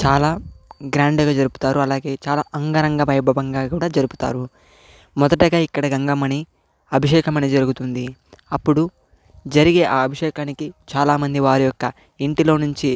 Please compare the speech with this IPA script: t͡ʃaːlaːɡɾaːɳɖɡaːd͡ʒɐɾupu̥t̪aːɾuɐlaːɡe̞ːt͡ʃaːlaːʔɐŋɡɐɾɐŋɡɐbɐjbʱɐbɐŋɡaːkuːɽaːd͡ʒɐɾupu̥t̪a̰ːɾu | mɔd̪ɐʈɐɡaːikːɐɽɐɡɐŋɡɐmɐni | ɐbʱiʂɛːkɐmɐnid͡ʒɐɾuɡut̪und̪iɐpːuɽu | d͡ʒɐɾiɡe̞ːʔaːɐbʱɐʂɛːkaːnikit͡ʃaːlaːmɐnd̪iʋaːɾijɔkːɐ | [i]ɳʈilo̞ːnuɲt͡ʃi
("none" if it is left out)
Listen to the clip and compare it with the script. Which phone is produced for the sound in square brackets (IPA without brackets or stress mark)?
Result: i